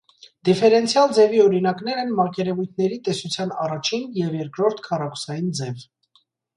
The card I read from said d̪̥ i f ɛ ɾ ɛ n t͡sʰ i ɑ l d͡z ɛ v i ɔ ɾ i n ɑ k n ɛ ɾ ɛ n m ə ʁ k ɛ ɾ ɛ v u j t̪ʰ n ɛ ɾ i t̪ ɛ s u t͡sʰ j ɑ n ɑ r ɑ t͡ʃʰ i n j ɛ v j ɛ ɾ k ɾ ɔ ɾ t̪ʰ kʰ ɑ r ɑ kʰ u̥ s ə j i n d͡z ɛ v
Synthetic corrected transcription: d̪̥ i f ɛ ɾ ɛ n t͡sʰ j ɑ l d͡z ɛ v i ɔ ɾ i n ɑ k n ɛ ɾ ɛ n m ɑ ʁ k ɛ ɾ ɛ v u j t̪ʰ n ɛ ɾ i t̪ ɛ s u t͡sʰ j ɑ n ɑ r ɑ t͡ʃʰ i n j ɛ v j ɛ ɾ k ɾ ɔ ɾ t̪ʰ kʰ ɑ r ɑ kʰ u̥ s ɑ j i n d͡z ɛ v